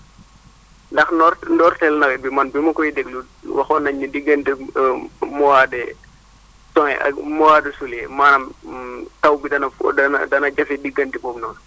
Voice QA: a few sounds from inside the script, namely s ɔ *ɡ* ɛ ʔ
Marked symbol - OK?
no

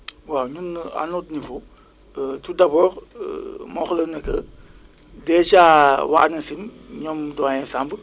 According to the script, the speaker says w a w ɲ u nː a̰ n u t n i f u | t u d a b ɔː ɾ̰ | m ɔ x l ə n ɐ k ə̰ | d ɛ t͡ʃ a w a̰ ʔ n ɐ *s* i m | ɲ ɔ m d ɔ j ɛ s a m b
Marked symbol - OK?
yes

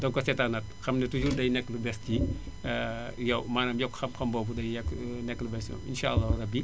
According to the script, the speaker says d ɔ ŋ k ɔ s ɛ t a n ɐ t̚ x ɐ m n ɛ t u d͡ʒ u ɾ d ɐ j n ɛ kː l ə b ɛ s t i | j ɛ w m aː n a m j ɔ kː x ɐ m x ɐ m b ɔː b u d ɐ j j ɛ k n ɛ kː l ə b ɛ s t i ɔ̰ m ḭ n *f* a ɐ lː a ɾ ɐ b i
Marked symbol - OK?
no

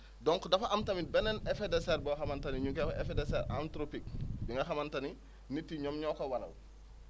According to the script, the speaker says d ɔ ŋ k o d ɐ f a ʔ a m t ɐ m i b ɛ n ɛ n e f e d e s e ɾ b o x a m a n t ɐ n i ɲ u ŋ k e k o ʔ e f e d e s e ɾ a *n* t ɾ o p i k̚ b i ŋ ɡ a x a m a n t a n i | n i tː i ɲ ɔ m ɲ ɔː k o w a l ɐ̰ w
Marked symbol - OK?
yes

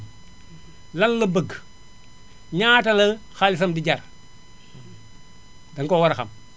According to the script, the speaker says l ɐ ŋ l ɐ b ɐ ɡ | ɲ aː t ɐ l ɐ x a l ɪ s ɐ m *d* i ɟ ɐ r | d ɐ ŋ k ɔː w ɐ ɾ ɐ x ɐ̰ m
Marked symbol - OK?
yes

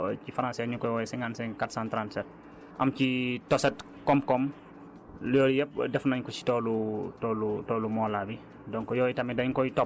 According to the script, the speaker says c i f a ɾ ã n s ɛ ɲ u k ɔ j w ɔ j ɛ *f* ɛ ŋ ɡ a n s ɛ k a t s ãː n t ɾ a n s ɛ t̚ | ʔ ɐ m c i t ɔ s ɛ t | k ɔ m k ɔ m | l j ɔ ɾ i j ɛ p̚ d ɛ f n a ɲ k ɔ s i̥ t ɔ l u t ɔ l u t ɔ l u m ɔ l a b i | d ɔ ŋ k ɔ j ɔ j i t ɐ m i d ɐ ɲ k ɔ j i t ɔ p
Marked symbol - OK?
no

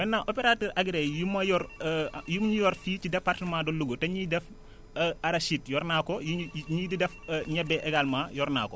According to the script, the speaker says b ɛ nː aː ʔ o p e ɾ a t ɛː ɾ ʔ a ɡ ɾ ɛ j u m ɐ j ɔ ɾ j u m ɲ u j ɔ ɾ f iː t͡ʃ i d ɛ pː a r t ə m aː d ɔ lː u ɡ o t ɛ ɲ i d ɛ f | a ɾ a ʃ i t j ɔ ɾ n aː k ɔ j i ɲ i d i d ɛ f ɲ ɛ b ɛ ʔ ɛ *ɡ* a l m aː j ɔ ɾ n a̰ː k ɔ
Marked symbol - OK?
yes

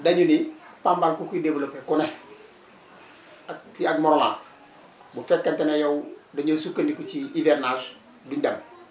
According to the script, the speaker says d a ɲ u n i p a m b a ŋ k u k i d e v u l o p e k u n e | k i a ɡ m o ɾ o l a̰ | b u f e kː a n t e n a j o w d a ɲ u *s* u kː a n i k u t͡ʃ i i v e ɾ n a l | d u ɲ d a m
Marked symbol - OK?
yes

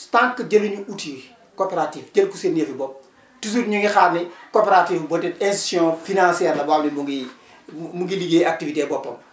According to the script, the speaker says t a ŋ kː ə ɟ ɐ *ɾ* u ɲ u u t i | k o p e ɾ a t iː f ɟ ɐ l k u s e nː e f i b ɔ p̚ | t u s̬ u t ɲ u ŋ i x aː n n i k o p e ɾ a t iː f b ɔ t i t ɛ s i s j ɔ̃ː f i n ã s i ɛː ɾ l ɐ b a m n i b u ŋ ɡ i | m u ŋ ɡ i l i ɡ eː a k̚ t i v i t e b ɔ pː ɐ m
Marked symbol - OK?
no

